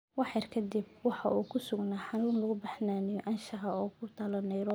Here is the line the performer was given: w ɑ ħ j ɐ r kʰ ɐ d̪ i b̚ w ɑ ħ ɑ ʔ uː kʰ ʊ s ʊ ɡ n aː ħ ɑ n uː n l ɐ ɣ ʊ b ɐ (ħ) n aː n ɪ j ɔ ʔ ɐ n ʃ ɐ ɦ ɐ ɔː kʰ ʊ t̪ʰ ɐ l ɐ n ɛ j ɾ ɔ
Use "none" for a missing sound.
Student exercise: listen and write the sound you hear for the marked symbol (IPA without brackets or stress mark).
ħ